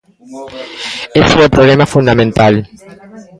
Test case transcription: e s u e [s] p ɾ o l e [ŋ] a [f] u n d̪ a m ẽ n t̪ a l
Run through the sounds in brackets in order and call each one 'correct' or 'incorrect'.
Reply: incorrect, incorrect, correct

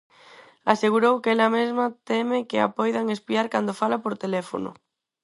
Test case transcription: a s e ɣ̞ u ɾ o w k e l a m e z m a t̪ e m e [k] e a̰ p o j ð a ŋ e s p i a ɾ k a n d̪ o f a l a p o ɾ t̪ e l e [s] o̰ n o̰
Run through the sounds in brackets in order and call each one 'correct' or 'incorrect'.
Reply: correct, incorrect

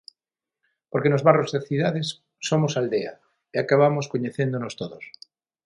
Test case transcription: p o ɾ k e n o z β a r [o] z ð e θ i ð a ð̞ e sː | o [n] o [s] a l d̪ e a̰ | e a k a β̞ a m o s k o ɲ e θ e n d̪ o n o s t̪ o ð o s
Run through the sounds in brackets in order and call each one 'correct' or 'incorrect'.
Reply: correct, incorrect, correct

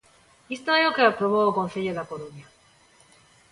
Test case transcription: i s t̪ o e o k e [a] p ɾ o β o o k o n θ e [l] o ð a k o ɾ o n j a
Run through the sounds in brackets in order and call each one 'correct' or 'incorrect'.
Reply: correct, incorrect

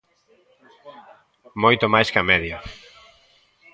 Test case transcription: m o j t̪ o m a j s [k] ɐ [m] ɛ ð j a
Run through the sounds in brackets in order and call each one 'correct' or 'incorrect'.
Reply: correct, correct

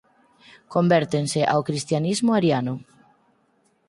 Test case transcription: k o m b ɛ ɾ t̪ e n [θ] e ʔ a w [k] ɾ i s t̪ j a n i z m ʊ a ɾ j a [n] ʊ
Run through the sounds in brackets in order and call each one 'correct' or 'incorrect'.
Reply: incorrect, correct, correct

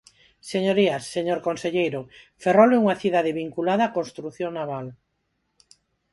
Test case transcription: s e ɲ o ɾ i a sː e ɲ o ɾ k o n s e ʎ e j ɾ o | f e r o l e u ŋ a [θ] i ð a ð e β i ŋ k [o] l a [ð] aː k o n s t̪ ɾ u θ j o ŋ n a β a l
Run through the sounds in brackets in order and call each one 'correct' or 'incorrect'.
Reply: correct, incorrect, correct

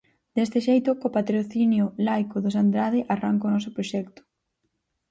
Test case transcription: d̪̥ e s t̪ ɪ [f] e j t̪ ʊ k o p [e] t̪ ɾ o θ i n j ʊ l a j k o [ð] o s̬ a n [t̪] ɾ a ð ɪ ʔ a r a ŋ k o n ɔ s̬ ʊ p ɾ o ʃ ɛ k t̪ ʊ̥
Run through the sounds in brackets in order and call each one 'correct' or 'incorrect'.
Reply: incorrect, incorrect, correct, incorrect

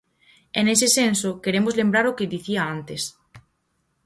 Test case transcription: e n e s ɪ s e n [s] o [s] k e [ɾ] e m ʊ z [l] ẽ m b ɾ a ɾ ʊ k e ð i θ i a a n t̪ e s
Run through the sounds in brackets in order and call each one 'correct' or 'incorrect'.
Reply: correct, incorrect, correct, correct

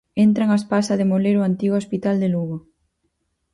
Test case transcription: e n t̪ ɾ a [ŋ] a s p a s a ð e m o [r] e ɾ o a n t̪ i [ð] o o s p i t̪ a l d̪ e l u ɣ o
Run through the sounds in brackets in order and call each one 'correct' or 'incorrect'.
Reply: correct, incorrect, incorrect

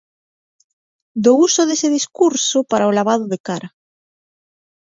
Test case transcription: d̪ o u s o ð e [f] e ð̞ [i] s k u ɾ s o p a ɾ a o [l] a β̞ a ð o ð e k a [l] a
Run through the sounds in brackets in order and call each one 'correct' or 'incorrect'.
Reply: incorrect, correct, correct, incorrect

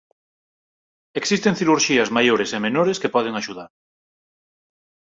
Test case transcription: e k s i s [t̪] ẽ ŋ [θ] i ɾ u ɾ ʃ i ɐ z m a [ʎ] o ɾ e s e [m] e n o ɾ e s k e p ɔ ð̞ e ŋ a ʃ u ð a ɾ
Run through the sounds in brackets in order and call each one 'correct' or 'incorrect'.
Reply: correct, correct, incorrect, correct

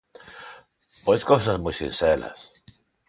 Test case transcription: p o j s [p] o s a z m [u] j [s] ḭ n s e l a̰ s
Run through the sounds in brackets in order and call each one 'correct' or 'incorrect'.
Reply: incorrect, correct, correct

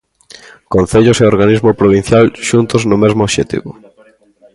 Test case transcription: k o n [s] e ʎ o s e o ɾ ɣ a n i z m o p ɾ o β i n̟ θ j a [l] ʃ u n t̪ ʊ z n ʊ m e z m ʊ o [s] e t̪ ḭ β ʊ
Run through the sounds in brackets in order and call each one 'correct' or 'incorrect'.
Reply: incorrect, correct, incorrect

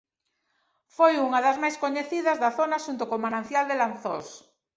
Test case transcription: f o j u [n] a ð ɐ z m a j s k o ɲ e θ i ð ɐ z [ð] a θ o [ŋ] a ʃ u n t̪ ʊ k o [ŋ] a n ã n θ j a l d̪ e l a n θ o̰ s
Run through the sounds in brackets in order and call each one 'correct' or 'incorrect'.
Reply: incorrect, correct, incorrect, incorrect

